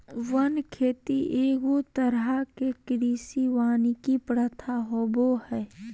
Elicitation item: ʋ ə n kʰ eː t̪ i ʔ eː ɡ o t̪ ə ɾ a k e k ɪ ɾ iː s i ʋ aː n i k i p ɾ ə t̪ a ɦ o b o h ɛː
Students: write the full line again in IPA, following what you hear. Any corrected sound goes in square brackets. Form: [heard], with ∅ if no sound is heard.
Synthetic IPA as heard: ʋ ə n kʰ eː t̪ i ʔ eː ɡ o t̪ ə ɾ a k e k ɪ ɾ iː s i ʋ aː n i k i p ɾ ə [t̪ʰ] a ɦ o b o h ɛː

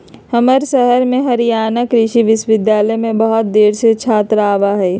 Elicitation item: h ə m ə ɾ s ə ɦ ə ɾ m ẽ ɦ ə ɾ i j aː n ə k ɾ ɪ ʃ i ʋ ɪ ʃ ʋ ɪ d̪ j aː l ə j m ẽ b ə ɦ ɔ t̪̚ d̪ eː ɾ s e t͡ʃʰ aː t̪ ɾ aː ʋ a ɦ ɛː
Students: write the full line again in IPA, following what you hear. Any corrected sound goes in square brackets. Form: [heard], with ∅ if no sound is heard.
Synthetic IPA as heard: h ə m ə ɾ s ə ɦ ə ɾ m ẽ ɦ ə ɾ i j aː n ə k ɾ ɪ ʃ i ʋ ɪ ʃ ʋ ɪ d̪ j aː l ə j m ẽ b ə ɦ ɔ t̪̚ d̪ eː ɾ s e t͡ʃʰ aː t̪ ɾ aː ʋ a ɦ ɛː

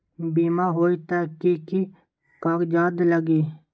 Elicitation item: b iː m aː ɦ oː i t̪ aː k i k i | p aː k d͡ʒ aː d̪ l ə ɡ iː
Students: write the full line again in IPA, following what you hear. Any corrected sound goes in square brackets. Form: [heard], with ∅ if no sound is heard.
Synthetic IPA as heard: b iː m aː ɦ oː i t̪ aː k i k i | [k] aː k d͡ʒ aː d̪ l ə ɡ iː

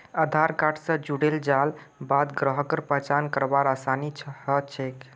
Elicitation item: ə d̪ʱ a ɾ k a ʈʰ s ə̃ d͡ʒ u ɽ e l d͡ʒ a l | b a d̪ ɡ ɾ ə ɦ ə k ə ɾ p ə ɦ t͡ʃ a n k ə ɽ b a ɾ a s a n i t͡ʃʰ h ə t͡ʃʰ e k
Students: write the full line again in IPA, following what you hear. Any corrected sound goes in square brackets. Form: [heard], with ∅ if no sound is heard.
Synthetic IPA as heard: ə d̪ʱ a ɾ k a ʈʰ s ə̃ d͡ʒ u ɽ e l d͡ʒ a l | b a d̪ ɡ ɾ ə ɦ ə k ə ɾ p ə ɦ t͡ʃ a n k ə [ɾ] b a ɾ a s a n i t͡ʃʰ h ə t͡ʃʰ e k

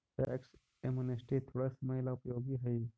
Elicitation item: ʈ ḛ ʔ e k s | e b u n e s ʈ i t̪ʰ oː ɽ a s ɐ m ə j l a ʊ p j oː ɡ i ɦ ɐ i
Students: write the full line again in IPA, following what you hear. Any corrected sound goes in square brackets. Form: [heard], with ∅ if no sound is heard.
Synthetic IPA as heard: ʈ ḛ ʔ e k s | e [m] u n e s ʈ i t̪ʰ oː ɽ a s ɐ m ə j l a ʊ p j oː ɡ i ɦ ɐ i

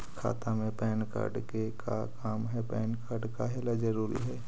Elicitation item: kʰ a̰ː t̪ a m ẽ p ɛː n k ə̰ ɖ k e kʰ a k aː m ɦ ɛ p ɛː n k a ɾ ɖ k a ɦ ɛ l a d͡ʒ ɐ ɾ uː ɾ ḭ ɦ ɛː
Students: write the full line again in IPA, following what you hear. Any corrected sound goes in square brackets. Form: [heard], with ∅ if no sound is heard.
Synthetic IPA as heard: kʰ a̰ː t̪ a m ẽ p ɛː n k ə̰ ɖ k e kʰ a k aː m ɦ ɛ p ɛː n k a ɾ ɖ k a ɦ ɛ l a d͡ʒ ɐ ɾ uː ɾ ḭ ɦ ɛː

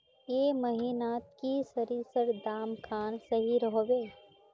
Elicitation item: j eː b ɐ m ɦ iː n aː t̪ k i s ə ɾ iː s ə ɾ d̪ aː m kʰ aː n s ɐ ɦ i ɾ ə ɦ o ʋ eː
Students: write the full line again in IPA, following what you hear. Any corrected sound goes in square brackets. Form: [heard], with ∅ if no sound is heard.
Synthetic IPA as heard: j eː [m] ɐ [∅] ɦ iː n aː t̪ k i s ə ɾ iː s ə ɾ d̪ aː m kʰ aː n s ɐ ɦ i ɾ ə ɦ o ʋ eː

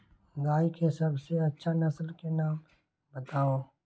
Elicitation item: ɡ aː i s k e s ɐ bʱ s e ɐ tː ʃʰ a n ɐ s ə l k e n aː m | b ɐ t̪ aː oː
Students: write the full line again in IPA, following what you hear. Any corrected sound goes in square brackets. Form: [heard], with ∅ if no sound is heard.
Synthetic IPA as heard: ɡ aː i [∅] k e s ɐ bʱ s e ɐ tː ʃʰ a n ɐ s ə l k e n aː m | b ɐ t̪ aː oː

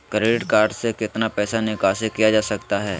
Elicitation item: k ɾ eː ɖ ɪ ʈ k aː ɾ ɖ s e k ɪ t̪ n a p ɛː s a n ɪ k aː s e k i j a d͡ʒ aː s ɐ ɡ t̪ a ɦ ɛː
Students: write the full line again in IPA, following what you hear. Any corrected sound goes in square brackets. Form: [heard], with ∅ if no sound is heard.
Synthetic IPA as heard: k ɾ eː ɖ ɪ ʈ k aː ɾ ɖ s e k ɪ t̪ n a p ɛː s a n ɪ k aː s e k i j a d͡ʒ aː s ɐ [k] t̪ a ɦ ɛː

